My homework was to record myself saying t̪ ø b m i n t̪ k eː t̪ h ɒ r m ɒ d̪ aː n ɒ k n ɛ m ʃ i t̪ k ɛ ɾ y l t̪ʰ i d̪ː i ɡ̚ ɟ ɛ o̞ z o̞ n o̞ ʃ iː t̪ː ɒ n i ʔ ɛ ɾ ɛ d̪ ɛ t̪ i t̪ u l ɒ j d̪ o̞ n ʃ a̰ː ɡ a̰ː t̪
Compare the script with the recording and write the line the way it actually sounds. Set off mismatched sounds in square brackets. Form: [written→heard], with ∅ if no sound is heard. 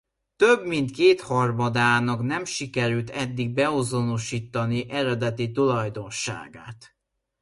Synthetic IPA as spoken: t̪ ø b m i n t̪ k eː t̪ h ɒ r m ɒ d̪ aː n ɒ k n ɛ m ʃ i [t̪→∅] k ɛ ɾ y l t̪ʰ [i→ɛ] d̪ː i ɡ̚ [ɟ→b] ɛ o̞ z o̞ n o̞ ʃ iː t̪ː ɒ n i ʔ ɛ ɾ ɛ d̪ ɛ t̪ i t̪ u l ɒ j d̪ o̞ n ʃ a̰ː ɡ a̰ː t̪